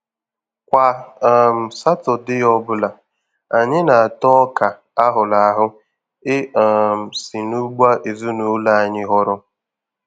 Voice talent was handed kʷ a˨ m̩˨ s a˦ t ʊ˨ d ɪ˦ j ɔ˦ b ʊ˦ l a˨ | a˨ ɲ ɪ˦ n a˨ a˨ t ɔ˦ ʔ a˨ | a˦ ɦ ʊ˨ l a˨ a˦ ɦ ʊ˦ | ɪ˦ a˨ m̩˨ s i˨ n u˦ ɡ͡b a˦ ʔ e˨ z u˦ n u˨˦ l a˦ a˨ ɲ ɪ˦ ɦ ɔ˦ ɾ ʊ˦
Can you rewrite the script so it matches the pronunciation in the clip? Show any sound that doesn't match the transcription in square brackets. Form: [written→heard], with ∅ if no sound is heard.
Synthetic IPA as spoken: kʷ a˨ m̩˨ s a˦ t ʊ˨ d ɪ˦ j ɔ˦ b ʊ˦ l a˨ | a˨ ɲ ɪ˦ n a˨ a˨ t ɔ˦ [ʔ→k] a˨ | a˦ ɦ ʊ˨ l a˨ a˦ ɦ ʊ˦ | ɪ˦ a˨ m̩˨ s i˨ n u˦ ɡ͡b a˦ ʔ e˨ z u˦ n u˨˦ l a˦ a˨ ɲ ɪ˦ ɦ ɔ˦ ɾ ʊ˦